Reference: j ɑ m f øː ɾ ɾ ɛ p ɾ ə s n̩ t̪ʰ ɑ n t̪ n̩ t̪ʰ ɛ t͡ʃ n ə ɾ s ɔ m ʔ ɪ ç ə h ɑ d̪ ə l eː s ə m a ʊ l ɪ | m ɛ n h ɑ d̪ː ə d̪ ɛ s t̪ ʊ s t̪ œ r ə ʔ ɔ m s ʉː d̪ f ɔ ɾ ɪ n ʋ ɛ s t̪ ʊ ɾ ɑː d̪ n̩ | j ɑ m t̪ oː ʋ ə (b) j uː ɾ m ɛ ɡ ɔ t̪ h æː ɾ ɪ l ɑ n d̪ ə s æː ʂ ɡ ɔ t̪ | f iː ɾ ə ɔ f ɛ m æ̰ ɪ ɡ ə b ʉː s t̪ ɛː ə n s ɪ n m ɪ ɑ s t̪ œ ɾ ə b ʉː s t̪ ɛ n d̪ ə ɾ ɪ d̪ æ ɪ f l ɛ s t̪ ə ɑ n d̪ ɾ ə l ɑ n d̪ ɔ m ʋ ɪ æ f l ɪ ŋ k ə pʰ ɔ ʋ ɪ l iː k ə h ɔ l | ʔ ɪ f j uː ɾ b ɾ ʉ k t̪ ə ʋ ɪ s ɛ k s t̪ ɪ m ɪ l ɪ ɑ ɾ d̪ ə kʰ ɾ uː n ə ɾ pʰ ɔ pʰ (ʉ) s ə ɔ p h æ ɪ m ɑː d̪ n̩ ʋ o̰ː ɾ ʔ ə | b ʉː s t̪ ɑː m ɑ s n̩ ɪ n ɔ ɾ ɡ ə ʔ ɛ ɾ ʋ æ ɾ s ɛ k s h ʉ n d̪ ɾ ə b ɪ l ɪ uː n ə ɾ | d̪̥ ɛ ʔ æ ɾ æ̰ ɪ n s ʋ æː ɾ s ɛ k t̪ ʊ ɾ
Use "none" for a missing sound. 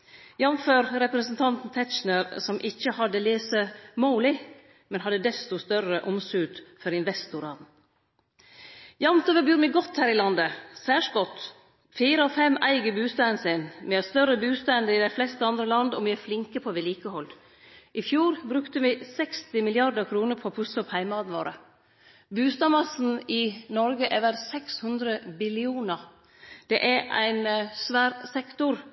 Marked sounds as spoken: b, ʉ

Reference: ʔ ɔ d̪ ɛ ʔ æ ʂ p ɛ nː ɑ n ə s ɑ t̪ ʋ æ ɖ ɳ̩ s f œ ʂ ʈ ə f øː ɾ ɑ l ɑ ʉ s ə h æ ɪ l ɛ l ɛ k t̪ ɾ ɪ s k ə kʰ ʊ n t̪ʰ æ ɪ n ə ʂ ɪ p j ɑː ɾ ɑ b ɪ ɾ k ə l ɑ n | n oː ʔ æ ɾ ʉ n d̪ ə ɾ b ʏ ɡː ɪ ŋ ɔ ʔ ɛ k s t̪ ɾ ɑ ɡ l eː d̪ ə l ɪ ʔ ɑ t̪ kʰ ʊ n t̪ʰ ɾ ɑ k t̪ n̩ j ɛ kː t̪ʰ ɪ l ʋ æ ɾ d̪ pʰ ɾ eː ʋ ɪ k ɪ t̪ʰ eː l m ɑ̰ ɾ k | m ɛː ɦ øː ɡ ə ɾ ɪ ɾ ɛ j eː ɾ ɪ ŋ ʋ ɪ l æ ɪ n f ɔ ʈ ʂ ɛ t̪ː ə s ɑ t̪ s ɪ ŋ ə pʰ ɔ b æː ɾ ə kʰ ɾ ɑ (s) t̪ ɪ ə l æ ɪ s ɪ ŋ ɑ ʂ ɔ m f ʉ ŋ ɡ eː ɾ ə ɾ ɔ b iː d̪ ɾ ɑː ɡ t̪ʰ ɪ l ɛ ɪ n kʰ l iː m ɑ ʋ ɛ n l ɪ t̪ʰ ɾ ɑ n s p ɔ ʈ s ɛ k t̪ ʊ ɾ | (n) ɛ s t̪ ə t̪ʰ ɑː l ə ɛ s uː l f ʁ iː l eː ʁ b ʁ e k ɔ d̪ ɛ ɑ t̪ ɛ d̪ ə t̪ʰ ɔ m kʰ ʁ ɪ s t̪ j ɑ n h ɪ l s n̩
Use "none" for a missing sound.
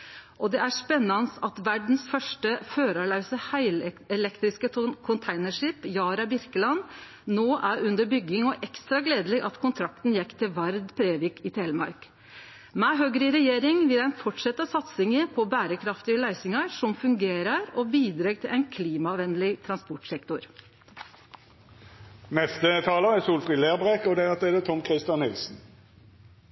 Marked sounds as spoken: f, n

